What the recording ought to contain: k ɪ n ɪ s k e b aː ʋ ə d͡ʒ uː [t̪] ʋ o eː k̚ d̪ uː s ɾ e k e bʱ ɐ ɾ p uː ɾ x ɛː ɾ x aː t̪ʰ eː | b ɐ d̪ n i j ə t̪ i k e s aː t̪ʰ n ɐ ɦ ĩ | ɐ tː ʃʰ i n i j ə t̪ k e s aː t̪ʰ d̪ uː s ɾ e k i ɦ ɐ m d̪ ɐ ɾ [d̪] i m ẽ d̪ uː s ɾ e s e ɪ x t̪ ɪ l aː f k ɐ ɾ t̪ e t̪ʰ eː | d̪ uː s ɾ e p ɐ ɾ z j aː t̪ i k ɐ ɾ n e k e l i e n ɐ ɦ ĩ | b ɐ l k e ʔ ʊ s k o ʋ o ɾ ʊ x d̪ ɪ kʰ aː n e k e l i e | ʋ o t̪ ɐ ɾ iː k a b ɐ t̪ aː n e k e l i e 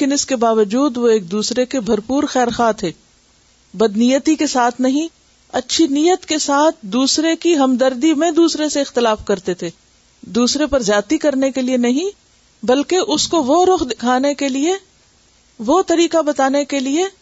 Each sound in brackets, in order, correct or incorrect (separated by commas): incorrect, correct